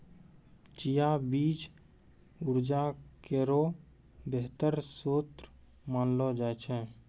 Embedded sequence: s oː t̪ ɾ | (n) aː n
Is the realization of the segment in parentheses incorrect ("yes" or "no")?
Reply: yes